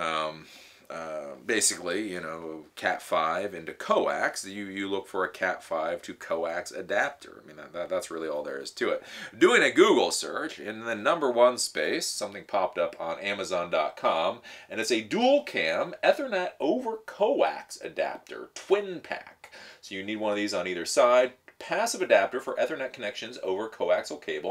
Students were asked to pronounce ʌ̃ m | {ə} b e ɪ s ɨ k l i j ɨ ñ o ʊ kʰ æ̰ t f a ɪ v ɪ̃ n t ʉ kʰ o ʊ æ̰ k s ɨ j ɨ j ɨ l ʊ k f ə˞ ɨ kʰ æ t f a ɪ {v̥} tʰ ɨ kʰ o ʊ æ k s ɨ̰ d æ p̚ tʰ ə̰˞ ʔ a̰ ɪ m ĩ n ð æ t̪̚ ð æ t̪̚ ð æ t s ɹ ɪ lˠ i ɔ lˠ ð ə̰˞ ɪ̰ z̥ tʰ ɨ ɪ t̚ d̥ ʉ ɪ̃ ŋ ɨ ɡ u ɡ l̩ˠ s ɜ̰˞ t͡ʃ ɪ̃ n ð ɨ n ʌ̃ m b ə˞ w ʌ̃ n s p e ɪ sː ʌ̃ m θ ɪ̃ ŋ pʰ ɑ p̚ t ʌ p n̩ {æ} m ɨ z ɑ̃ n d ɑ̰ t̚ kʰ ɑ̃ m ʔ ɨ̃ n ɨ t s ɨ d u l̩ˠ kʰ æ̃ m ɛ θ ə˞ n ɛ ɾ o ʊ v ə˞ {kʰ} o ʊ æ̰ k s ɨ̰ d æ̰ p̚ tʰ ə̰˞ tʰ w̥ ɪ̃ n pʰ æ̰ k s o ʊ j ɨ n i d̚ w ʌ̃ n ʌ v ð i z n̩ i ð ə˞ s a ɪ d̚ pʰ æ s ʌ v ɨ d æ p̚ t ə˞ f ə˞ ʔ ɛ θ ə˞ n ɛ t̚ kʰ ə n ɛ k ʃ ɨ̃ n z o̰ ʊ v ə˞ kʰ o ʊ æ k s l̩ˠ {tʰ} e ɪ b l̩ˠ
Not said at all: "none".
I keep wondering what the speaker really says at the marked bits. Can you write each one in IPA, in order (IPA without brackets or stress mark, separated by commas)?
ʌ, v̥, æ, kʰ, kʰ